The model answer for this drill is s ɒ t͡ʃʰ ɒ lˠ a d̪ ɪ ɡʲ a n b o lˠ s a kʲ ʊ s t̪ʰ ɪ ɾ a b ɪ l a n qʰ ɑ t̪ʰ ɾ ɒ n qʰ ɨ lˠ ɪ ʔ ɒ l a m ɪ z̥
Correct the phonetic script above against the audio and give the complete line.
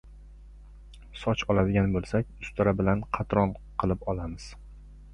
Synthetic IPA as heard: s ɒ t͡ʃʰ ɒ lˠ a d̪ ɪ ɡʲ a n b o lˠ s a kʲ ʊ s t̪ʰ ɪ ɾ a b ɪ l a n qʰ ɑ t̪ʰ ɾ ɒ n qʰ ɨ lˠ ɪ p ɒ l a m ɪ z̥

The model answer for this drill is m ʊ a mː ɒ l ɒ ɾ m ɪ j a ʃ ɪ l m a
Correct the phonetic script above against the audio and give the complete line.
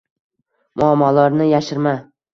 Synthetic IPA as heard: m ʊ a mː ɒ l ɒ ɾ n ɪ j a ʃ ɪ ɾ m a

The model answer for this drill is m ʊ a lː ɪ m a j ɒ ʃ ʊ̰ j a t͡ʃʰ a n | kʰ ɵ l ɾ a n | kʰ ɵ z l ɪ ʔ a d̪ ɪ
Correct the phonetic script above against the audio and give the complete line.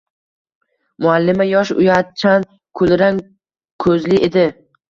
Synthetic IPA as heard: m ʊ a lː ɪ m a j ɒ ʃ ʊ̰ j a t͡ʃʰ a n | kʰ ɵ l ɾ a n | kʰ ɵ z l ɪ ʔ e d̪ ɪ

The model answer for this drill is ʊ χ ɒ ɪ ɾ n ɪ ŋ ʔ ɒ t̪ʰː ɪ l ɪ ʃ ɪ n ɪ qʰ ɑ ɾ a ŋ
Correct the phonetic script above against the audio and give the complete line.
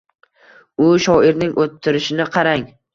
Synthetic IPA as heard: ʊ ʃ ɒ ɪ ɾ n ɪ ŋ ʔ o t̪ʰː ɪ ɾ ɪ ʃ ɪ n ɪ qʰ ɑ ɾ a ŋ

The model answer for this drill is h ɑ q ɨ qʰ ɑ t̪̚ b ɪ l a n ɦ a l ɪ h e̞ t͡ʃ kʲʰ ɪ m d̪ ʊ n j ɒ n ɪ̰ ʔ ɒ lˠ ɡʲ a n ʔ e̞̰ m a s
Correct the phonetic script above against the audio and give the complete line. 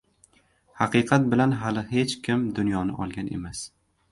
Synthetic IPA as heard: h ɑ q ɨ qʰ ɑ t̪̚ b ɪ l a n ɦ a l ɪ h e̞ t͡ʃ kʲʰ ɪ m d̪ ʊ n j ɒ n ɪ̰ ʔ ɒ lˠ ɡʲ a n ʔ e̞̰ m a s

